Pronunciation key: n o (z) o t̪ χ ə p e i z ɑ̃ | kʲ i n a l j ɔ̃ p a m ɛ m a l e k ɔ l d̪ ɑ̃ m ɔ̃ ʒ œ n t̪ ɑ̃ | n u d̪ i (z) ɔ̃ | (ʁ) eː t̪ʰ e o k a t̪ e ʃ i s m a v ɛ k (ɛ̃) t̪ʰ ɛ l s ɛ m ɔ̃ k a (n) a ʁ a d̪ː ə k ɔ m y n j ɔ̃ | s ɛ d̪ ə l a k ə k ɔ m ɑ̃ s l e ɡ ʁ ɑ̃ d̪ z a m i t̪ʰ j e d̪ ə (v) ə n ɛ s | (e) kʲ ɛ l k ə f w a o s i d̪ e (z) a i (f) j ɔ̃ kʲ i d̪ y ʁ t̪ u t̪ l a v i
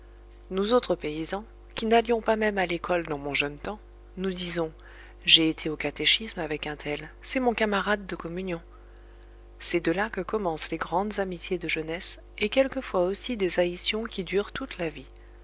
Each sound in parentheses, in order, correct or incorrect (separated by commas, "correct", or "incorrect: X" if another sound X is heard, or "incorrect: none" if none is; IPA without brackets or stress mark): correct, correct, incorrect: ʒ, correct, incorrect: m, incorrect: ʒ, correct, correct, incorrect: s